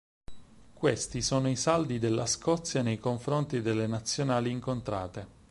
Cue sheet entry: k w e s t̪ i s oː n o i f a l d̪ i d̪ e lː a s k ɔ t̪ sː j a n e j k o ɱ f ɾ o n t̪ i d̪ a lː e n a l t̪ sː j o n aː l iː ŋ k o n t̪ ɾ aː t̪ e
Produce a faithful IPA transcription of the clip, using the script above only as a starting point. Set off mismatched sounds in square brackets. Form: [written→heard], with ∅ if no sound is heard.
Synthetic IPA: k w e s t̪ i s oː n o i [f→s] a l d̪ i d̪ e lː a s k ɔ t̪ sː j a n e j k o ɱ f ɾ o n t̪ i d̪ [a→e] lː e n a [l→∅] t̪ sː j o n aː l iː ŋ k o n t̪ ɾ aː t̪ e